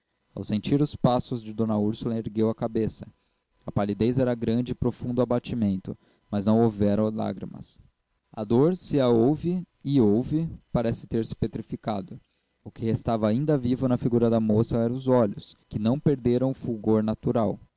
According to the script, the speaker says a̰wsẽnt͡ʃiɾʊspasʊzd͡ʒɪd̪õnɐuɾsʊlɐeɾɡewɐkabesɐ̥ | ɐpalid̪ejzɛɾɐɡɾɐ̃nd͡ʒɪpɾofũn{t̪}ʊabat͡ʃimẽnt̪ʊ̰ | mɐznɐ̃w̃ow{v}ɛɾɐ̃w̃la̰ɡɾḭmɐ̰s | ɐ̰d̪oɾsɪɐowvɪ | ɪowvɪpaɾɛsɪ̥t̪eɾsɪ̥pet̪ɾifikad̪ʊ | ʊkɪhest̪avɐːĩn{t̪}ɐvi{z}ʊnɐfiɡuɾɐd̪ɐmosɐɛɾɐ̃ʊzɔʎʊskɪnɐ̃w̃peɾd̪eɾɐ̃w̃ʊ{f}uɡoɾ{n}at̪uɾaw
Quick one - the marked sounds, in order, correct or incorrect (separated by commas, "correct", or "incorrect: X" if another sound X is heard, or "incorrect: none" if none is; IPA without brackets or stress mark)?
incorrect: d̪, correct, incorrect: d̪, incorrect: v, correct, correct